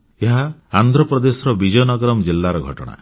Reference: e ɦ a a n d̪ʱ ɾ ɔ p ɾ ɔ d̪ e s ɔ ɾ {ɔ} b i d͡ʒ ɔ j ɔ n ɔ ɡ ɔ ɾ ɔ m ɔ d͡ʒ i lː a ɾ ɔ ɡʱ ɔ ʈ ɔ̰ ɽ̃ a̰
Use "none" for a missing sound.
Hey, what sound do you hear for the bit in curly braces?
ɔ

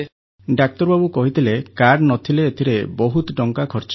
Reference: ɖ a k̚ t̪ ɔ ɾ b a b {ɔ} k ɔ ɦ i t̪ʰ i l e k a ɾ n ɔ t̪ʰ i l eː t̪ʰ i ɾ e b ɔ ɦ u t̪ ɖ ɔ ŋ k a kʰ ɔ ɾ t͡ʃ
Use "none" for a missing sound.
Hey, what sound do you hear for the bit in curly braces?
u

